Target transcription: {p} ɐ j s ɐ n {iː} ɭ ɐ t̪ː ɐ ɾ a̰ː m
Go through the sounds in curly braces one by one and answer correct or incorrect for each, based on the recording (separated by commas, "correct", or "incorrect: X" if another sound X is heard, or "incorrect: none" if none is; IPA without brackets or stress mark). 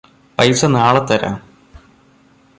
correct, incorrect: aː